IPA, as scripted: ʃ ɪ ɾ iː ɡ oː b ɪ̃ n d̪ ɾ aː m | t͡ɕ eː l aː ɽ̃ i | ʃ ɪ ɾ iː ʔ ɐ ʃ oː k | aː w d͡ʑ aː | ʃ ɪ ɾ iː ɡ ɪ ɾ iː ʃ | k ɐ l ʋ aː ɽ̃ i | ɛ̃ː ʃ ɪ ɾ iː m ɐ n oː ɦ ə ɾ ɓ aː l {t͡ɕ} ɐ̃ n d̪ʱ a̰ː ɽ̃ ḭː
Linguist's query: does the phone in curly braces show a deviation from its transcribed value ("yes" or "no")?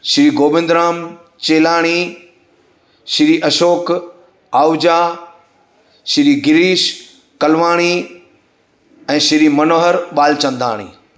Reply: no